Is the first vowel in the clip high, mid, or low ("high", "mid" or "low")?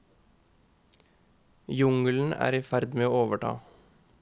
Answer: high